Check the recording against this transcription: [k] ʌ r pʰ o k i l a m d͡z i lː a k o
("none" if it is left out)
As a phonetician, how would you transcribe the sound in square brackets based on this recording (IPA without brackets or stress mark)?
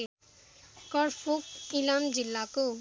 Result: k